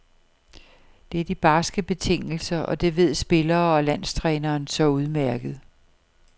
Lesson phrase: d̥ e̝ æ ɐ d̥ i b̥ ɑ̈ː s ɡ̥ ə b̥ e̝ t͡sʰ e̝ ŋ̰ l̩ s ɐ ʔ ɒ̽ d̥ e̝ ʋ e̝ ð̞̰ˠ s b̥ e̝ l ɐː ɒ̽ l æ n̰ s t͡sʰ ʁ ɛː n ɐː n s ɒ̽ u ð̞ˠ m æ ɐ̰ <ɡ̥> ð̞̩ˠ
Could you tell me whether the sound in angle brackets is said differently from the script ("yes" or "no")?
no